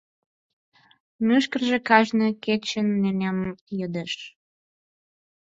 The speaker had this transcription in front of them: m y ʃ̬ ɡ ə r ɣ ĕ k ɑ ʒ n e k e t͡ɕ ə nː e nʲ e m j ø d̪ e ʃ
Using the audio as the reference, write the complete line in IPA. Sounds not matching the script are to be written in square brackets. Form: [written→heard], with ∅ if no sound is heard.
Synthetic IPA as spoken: m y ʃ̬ [ɡ→k] ə r [ɣ→ʒ] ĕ k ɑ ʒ n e k e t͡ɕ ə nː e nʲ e m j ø d̪ e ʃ